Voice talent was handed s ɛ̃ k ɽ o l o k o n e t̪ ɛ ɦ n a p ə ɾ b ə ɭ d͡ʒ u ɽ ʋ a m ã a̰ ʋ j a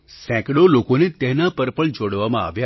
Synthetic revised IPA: s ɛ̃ k ɽ o l o k o n e t̪ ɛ ɦ n a p ə ɾ p ə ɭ d͡ʒ o ɽ ʋ a m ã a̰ ʋ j a